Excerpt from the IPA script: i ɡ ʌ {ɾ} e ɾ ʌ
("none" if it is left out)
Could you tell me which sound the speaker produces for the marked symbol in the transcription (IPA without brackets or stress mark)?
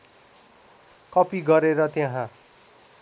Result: ɾ